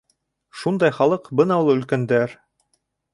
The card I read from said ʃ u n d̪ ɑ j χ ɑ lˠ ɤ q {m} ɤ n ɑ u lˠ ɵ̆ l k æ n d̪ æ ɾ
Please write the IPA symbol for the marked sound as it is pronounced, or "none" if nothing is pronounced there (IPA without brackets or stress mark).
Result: b